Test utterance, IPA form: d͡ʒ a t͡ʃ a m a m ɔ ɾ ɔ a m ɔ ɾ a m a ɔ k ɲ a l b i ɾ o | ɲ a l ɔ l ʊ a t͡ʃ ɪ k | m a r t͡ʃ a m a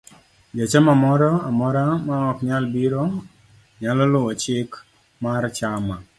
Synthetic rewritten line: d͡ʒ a t͡ʃ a m a m ɔ ɾ ɔ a m ɔ ɾ a m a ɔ k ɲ a l b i ɾ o | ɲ a l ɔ l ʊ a t͡ʃ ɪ k | m a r t͡ʃ a m a